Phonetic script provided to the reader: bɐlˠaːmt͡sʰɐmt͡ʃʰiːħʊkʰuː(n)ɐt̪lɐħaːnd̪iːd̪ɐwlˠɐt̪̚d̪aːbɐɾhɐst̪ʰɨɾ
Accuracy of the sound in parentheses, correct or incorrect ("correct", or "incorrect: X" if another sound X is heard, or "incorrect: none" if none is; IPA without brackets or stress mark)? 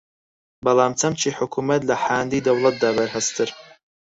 incorrect: m